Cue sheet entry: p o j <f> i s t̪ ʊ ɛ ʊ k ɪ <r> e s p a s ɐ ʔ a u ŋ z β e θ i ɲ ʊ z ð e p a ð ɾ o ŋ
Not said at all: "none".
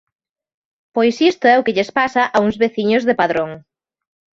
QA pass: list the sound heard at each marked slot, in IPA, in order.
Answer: s, ʎ

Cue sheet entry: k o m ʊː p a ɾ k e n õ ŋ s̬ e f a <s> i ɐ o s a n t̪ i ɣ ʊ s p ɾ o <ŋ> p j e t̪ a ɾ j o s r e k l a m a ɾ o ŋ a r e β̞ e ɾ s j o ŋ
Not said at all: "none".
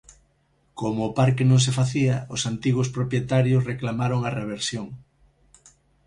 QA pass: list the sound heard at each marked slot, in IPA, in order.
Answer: θ, none

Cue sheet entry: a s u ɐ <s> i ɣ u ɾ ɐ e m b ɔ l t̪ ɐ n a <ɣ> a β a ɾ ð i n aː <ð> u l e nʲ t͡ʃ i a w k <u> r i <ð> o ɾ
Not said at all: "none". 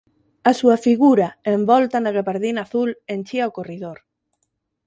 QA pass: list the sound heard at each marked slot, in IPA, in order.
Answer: f, ɣ, θ, o, ð

